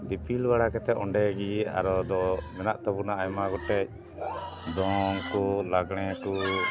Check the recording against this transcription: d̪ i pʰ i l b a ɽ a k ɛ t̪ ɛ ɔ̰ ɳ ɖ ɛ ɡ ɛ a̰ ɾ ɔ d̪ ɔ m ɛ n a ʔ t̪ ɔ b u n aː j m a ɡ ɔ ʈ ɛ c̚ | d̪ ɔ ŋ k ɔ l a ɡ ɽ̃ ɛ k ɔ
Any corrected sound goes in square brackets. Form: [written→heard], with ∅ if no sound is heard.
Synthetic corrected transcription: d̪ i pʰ i l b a ɽ a k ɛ t̪ ɛ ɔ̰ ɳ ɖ ɛ ɡ [ɛ→i] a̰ ɾ ɔ d̪ ɔ m ɛ n a ʔ t̪ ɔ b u n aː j m a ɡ ɔ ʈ ɛ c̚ | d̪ ɔ ŋ k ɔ l a ɡ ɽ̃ ɛ k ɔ